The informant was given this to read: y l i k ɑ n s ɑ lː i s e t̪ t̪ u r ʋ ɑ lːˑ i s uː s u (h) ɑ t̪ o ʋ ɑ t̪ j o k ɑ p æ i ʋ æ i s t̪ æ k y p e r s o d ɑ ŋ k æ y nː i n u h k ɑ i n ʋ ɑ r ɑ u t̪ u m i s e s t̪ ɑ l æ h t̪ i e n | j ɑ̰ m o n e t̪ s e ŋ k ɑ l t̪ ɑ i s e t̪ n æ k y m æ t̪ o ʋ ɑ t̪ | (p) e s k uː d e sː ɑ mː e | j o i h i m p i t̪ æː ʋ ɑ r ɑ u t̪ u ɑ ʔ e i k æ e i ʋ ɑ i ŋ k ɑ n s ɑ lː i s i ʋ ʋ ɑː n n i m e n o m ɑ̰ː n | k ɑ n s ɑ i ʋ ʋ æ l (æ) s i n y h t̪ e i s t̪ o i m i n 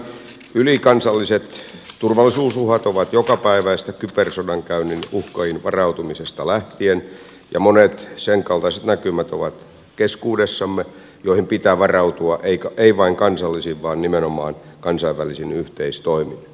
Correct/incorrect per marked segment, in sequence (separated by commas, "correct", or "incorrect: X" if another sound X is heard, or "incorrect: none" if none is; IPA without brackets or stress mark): correct, incorrect: k, incorrect: i